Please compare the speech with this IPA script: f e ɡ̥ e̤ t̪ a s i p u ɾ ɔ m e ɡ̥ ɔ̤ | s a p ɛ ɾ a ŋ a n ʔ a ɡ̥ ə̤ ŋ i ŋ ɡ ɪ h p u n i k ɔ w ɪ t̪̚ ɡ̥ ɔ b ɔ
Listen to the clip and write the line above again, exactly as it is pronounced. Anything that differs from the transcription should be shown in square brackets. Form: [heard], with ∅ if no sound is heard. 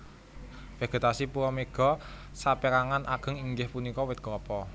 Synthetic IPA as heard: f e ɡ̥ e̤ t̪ a s i p u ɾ ɔ m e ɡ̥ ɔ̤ | s a p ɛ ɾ a ŋ a n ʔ a ɡ̥ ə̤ ŋ i ŋ ɡ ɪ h p u n i k ɔ w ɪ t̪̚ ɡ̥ ɔ [p] ɔ